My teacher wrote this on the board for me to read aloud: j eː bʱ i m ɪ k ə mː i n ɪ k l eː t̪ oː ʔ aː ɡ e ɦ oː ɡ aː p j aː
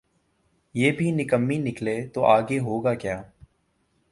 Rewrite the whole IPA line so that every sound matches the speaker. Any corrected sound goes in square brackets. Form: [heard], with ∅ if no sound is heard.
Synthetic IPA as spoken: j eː bʱ i [n] ɪ k ə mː i n ɪ k l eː t̪ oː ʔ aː ɡ e ɦ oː ɡ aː [k] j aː